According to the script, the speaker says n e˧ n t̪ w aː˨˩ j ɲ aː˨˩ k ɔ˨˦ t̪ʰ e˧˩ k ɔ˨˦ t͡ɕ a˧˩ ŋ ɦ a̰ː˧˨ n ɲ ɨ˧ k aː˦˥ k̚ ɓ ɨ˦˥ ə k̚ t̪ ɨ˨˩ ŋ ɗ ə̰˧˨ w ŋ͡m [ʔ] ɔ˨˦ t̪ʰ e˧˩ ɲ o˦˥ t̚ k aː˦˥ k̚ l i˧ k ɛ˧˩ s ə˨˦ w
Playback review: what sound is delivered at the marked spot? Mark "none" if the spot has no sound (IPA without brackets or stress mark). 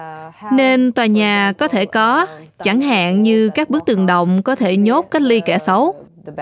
k